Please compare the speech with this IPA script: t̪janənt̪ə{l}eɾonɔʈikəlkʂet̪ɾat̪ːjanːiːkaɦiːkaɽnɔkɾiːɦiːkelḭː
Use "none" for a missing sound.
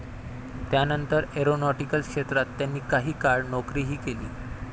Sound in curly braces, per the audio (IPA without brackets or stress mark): ɾ